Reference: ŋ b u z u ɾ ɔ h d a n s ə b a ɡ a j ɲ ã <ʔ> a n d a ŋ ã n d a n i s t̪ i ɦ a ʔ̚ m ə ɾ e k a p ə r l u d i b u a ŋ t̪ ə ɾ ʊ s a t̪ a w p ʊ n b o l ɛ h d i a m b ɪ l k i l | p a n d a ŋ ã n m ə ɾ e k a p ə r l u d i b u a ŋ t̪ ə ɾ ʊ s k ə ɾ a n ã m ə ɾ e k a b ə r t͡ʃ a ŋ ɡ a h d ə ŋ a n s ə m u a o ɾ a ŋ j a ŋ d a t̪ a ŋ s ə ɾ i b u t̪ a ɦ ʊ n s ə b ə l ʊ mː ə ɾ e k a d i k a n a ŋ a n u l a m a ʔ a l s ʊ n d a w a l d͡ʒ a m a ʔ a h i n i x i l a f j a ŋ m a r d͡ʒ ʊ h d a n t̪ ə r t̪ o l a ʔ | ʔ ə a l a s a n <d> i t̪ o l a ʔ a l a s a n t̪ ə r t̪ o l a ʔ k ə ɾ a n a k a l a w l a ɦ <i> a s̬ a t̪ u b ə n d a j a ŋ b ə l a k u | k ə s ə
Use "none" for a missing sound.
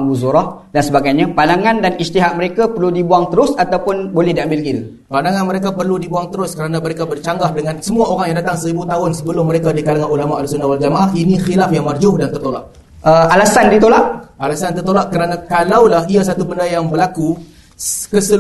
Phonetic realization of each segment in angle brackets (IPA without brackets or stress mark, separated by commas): p, d, i